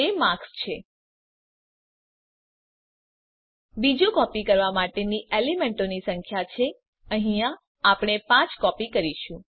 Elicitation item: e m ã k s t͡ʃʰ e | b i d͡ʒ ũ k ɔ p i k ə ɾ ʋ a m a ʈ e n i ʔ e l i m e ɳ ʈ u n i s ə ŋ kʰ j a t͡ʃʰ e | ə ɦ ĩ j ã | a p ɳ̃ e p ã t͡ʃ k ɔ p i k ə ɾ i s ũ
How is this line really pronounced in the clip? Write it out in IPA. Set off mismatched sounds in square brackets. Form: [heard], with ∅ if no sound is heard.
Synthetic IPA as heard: e m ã k s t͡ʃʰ e | b i d͡ʒ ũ k ɔ p i k ə ɾ ʋ a m a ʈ e n i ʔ e l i m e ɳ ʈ [o] n i s ə ŋ kʰ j a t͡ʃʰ e | ə ɦ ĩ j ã | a p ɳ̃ e p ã t͡ʃ k ɔ p i k ə ɾ i [ʃ] ũ

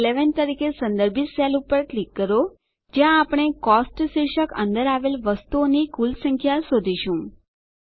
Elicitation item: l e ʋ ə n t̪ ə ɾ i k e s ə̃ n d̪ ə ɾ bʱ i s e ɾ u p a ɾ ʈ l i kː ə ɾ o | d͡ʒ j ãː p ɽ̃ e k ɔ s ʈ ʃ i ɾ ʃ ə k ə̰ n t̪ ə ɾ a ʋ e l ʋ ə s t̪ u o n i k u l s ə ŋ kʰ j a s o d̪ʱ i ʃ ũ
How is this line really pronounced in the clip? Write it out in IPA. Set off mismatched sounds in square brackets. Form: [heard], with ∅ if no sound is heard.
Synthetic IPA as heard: l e ʋ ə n t̪ ə ɾ i k e s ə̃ n d̪ ə ɾ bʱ i s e [l] u p [ə] ɾ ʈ l i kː ə ɾ o | d͡ʒ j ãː p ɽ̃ e k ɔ s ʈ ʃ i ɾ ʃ ə k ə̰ n [d̪] ə ɾ a ʋ e l ʋ ə s t̪ u o n i k u l s ə ŋ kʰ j a s o d̪ʱ i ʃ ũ

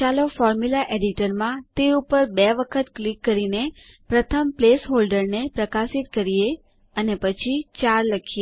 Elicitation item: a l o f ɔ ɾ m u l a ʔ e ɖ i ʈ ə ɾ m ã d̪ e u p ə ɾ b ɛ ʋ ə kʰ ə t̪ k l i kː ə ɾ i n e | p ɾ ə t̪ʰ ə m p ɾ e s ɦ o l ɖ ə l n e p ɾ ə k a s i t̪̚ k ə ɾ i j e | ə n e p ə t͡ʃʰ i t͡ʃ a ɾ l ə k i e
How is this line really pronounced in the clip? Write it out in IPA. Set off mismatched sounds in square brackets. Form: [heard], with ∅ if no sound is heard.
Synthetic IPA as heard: a l o f ɔ ɾ m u l a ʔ e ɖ i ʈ ə ɾ m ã [t̪] e u p ə ɾ b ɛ ʋ ə kʰ ə t̪ k l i kː ə ɾ i n e | p ɾ ə t̪ʰ ə m p [l] e s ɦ o l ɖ ə [ɾ] n e p ɾ ə k a s i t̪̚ k ə ɾ i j e | ə n e p ə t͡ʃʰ i t͡ʃ a ɾ l ə [kʰ] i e

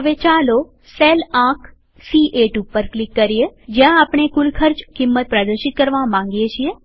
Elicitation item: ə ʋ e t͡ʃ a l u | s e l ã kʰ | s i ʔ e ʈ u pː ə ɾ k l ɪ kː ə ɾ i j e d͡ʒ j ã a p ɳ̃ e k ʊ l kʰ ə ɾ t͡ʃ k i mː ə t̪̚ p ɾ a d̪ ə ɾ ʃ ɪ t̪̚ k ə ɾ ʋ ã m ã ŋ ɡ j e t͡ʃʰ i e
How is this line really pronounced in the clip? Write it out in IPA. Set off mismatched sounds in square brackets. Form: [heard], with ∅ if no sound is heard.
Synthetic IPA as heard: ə ʋ e t͡ʃ a l [o] | s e l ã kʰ | s i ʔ e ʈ u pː ə ɾ k l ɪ kː ə ɾ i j e d͡ʒ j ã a p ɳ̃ e k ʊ l kʰ ə ɾ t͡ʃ k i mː ə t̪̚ p ɾ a d̪ ə ɾ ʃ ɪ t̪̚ k ə ɾ ʋ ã m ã ŋ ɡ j e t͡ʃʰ i e

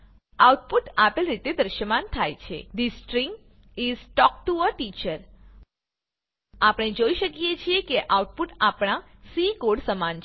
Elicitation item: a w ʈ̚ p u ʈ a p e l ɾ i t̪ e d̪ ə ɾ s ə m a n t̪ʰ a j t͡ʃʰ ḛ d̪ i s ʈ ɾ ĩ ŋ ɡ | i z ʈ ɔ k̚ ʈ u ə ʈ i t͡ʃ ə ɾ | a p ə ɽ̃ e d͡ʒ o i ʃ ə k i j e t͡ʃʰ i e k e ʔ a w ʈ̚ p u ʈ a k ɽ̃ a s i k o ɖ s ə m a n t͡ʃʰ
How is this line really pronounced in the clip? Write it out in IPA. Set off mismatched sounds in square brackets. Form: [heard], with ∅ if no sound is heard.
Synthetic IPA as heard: a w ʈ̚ p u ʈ a p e l ɾ i t̪ e d̪ ə ɾ [ʃ] ə m a n t̪ʰ a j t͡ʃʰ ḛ d̪ i s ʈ ɾ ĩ ŋ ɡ | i z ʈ ɔ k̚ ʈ u ə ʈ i t͡ʃ ə ɾ | a p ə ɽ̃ e d͡ʒ o i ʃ ə k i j e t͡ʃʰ i e k e ʔ a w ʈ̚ p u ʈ a [p] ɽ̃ a s i k o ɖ s ə m a n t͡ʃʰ

